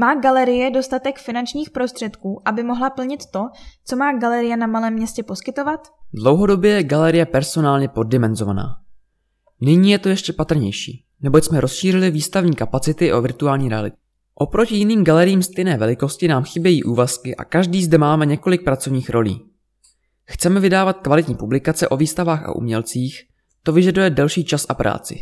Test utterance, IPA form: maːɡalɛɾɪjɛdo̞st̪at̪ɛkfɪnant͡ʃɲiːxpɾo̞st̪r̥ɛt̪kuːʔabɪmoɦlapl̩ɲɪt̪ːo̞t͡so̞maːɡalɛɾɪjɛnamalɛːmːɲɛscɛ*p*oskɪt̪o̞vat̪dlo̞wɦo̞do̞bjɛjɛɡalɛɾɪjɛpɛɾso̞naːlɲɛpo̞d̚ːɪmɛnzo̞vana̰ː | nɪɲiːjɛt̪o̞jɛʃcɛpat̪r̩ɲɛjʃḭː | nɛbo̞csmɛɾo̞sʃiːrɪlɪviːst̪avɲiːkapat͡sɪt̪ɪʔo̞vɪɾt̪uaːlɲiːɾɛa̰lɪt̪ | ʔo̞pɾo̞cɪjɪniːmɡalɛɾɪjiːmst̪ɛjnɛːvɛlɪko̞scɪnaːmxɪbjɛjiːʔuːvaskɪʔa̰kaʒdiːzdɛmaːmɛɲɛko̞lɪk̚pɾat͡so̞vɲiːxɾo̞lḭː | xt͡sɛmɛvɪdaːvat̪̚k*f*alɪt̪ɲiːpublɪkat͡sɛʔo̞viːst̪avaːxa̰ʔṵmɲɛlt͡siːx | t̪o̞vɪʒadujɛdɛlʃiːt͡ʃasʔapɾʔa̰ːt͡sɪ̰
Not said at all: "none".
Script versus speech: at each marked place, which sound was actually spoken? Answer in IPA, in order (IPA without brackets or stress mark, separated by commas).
p, v